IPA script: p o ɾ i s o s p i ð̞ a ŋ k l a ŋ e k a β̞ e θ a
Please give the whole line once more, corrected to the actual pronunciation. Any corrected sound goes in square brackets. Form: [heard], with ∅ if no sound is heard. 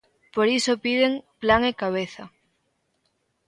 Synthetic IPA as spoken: p o ɾ i s o [∅] p i ð̞ [e] ŋ [p] l a ŋ e k a β̞ e θ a